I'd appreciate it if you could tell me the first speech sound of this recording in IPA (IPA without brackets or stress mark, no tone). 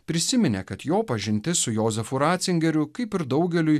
pʲ